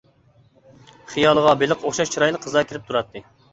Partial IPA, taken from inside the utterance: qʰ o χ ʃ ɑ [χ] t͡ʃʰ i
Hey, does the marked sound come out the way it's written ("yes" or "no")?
no